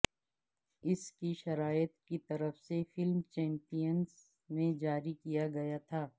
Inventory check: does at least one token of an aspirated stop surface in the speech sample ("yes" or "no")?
yes